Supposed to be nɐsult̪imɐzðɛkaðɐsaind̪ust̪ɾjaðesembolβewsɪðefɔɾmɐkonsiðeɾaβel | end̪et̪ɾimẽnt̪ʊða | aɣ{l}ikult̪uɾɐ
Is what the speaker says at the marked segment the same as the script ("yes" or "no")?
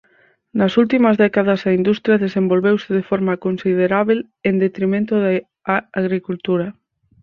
no